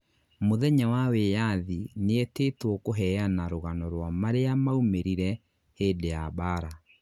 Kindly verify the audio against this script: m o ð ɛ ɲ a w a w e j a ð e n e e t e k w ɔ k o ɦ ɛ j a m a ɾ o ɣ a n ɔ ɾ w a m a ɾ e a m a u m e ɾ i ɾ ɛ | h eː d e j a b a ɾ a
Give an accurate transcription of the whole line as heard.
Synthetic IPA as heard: m o ð ɛ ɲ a w a w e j a ð i n e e t e t w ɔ k o ɦ ɛ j a n a ɾ o ɣ a n ɔ ɾ w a m a ɾ e a m a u m e ɾ i ɾ ɛ | h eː d e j a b a ɾ a